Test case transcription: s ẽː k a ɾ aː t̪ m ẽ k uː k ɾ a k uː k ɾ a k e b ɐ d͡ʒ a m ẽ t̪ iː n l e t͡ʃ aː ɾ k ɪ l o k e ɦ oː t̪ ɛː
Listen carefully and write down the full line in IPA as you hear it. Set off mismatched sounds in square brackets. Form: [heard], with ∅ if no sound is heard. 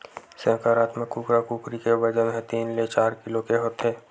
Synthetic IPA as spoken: s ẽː k a ɾ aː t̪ m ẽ k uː k ɾ a k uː k ɾ [i] k e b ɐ d͡ʒ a m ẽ t̪ iː n l e t͡ʃ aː ɾ k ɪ l o k e ɦ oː t̪ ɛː